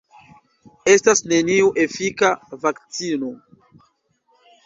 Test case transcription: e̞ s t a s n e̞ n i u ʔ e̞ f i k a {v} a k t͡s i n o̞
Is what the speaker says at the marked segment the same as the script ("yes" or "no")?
yes